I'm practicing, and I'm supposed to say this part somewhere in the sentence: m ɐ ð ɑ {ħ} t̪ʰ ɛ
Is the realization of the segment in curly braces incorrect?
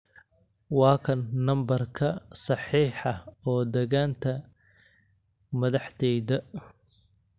no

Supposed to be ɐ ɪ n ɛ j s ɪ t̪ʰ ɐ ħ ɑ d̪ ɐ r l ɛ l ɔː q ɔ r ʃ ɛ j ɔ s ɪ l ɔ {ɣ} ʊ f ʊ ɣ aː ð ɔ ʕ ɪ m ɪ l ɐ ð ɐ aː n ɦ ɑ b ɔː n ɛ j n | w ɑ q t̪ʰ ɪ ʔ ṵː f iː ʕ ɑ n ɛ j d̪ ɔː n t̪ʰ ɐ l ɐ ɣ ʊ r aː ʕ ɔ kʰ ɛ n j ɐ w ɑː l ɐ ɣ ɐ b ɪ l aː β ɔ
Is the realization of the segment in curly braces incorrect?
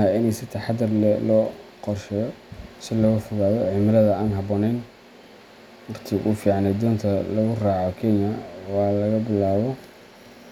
no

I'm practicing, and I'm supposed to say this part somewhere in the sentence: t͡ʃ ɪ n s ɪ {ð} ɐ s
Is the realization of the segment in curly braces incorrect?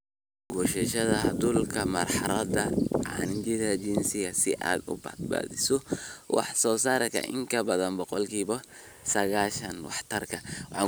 yes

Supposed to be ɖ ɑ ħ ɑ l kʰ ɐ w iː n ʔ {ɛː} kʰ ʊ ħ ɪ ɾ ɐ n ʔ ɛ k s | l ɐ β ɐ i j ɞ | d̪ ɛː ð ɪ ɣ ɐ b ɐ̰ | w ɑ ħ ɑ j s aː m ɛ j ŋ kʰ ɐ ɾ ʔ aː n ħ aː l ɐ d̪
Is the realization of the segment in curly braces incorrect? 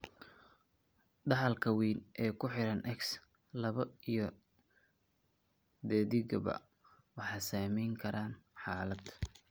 no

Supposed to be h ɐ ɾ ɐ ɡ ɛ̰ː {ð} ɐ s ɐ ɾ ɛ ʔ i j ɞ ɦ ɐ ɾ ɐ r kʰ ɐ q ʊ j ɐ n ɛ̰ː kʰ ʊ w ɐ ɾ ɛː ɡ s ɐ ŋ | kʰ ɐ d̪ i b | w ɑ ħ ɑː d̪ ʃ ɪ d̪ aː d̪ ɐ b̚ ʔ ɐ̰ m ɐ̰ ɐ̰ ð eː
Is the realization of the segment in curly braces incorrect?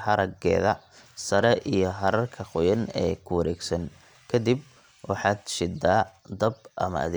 no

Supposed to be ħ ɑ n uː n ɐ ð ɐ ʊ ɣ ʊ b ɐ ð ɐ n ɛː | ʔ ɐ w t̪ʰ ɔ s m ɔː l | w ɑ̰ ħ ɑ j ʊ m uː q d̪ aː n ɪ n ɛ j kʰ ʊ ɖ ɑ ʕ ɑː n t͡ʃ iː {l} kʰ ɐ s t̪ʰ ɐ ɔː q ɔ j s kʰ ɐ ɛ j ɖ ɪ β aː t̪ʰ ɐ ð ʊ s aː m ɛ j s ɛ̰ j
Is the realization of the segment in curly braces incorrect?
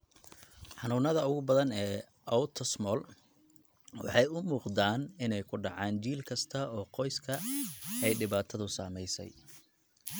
no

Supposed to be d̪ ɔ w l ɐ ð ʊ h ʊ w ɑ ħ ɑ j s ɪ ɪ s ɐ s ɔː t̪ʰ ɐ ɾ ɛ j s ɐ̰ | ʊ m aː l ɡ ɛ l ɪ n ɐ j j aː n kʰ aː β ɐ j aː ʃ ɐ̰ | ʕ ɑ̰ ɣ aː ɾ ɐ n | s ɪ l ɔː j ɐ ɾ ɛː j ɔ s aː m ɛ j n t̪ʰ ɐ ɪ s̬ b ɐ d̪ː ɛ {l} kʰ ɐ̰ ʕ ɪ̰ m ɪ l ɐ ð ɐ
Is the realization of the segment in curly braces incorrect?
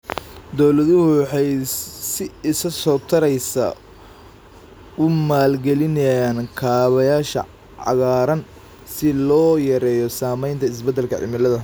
no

